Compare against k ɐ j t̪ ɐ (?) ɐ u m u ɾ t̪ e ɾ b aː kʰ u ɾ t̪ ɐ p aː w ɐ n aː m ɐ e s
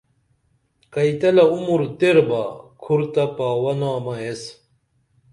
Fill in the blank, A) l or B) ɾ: A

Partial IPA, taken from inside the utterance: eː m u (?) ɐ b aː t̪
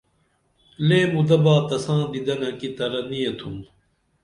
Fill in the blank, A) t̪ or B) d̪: B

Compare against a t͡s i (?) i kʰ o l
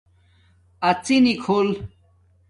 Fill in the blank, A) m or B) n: B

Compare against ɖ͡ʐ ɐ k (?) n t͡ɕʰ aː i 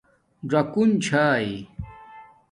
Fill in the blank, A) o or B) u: B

